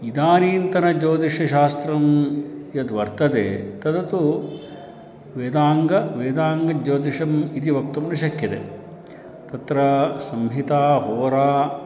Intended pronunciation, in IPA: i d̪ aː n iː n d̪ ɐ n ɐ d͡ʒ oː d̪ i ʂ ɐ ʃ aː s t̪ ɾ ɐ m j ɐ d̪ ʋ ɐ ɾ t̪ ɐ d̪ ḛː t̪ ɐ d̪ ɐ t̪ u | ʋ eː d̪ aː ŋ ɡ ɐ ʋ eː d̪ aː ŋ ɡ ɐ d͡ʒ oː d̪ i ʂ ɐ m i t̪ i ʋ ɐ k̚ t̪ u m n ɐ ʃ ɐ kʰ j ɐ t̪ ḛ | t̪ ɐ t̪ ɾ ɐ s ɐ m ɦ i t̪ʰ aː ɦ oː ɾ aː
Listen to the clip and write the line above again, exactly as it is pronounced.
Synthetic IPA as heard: i d̪ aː n iː n t̪ ɐ n ɐ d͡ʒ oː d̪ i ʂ ɐ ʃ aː s t̪ ɾ ɐ m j ɐ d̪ ʋ ɐ ɾ t̪ ɐ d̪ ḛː t̪ ɐ d̪ ɐ t̪ u | ʋ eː d̪ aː ŋ ɡ ɐ ʋ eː d̪ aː ŋ ɡ ɐ d͡ʒ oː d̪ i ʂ ɐ m i t̪ i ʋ ɐ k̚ t̪ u m n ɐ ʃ ɐ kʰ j ɐ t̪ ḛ | t̪ ɐ t̪ ɾ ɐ s ɐ m ɦ i t̪ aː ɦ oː ɾ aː